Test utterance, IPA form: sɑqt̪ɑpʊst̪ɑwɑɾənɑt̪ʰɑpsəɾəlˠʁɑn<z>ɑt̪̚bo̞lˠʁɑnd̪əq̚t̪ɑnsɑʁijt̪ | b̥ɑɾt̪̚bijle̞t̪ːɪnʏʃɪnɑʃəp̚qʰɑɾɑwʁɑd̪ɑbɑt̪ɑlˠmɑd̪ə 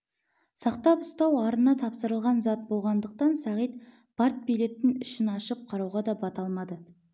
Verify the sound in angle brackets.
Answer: correct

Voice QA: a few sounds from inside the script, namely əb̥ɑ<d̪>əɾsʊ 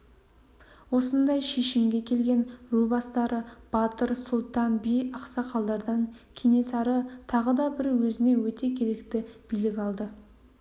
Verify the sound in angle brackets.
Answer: incorrect: t̪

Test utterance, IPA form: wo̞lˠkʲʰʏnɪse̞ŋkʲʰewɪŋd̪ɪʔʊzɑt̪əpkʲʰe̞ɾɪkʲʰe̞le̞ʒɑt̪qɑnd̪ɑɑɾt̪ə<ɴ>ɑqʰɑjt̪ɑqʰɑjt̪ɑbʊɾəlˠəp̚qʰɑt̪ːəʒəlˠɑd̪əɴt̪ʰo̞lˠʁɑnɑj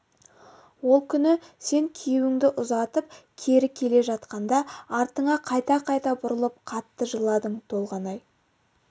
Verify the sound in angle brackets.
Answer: correct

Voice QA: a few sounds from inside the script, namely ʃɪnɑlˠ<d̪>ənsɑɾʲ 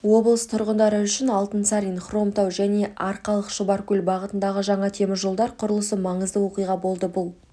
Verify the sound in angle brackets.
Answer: incorrect: t̪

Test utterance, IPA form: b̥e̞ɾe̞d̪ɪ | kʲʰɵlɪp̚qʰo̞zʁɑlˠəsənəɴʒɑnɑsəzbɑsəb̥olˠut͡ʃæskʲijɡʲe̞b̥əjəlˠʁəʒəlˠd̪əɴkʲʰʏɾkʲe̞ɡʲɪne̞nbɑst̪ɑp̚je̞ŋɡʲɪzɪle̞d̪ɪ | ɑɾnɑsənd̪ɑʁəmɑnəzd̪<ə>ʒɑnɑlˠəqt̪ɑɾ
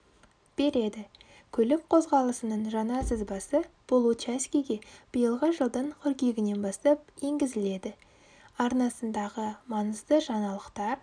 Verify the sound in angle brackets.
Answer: correct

